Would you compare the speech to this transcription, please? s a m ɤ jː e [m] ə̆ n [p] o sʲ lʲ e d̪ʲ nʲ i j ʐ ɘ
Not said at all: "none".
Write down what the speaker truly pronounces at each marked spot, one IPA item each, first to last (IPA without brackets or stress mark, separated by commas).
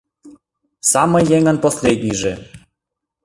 ŋ, p